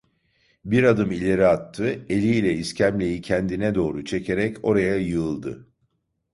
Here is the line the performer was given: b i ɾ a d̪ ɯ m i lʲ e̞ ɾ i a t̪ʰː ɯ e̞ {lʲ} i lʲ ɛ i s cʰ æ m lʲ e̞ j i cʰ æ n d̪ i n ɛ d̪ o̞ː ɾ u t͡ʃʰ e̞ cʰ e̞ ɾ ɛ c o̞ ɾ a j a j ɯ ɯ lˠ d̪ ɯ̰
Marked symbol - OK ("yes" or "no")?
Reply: yes